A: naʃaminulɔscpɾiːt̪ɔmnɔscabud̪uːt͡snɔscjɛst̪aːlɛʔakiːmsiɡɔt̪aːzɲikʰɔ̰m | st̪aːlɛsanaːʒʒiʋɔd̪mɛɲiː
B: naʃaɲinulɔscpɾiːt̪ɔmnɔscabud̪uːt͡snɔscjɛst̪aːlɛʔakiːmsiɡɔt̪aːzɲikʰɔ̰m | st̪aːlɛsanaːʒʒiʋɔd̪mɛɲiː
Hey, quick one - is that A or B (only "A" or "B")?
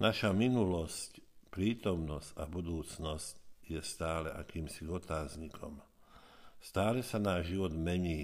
A